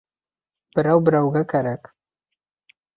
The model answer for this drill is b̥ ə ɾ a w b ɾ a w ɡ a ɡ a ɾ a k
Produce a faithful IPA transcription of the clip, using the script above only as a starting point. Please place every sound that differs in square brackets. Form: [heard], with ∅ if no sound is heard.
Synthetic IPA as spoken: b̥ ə ɾ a w b ɾ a w ɡ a [k] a ɾ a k